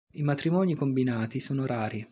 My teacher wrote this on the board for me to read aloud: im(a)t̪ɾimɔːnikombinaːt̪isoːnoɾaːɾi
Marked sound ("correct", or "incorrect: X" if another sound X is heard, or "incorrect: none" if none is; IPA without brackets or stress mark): correct